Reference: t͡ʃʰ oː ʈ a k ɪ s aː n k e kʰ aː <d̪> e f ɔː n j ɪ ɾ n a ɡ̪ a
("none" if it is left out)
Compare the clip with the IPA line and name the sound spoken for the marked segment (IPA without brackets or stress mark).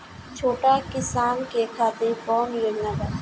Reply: t̪